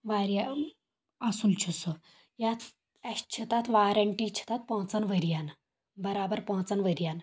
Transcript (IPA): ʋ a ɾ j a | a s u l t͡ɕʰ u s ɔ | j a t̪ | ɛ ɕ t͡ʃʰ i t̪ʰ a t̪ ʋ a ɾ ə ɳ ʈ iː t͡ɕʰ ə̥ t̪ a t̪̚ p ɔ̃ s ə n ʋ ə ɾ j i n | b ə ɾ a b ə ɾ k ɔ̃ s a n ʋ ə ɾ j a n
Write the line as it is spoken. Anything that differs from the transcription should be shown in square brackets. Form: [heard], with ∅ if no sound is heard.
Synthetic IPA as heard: ʋ a ɾ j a | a s u l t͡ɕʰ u s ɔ | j a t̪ | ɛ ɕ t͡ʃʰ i [t̪] a t̪ ʋ a ɾ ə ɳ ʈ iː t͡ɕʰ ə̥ t̪ a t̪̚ p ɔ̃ [t͡s] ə n ʋ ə ɾ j [a] n | b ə ɾ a b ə ɾ [p] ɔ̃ [t͡s] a n ʋ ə ɾ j a n